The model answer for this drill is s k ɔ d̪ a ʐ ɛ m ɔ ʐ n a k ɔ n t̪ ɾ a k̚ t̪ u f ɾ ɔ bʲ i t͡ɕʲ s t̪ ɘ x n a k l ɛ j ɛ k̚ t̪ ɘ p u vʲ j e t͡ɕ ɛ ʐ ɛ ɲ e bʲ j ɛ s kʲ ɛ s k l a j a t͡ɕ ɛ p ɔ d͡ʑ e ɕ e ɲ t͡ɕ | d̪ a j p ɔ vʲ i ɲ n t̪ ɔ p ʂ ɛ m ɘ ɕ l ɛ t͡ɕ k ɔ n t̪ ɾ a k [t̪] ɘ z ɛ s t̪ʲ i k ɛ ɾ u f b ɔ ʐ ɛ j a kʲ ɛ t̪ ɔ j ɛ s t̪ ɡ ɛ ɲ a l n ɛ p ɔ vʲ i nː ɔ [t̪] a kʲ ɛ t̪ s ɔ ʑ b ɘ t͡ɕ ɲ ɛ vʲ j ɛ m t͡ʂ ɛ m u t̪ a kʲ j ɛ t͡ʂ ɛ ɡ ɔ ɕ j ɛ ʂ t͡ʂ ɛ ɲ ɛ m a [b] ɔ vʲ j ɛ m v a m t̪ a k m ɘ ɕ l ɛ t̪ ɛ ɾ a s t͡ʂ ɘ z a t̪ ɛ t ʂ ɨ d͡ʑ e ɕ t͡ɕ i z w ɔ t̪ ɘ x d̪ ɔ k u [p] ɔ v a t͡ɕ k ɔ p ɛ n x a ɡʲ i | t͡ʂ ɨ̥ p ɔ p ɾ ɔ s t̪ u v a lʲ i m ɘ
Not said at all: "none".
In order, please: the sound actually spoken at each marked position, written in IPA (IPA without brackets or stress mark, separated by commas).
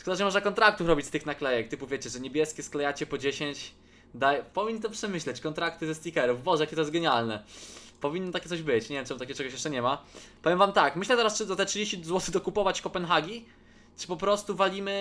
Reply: t̪, t̪, p, p